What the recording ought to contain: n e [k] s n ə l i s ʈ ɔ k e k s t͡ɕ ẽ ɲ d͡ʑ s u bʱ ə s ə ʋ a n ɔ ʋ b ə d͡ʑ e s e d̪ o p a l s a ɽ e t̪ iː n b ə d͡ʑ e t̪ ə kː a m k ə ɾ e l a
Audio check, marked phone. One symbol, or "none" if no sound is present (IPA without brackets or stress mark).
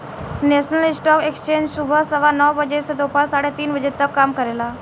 none